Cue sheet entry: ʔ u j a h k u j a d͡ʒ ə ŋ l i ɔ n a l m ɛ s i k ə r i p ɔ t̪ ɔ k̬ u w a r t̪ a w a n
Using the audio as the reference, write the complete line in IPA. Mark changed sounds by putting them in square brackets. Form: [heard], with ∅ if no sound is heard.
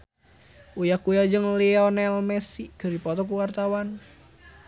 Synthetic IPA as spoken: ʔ u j a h k u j a d͡ʒ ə ŋ l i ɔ n [ɛ] l m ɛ s i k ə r i p ɔ t̪ ɔ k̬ u w a r t̪ a w a n